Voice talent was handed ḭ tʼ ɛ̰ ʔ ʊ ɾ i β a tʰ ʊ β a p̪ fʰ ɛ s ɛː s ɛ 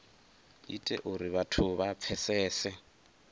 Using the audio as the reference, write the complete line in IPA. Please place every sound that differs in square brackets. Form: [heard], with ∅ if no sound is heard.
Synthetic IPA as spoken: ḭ tʼ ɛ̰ ʔ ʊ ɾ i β a tʰ ʊ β a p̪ fʰ ɛ s ɛː s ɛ